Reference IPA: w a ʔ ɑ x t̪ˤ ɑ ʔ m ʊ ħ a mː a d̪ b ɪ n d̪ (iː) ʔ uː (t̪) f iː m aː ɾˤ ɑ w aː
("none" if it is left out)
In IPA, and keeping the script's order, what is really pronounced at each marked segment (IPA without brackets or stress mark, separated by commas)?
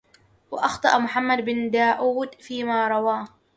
aː, d̪